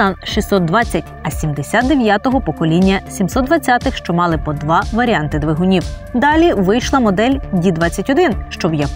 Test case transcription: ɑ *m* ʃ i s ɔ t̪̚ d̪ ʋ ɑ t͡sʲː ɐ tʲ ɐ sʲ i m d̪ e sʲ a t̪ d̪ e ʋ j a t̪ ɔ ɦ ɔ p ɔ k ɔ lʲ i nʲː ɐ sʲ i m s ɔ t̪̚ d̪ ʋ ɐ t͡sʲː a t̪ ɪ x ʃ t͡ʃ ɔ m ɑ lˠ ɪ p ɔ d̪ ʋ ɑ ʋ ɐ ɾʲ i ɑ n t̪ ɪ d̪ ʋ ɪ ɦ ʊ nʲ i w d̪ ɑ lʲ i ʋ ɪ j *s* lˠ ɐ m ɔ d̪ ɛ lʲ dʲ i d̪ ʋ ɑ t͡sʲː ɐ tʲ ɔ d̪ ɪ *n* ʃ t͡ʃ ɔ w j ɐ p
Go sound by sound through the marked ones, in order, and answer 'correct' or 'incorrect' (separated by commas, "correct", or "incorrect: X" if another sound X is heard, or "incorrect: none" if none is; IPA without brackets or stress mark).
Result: incorrect: n, incorrect: ʃ, correct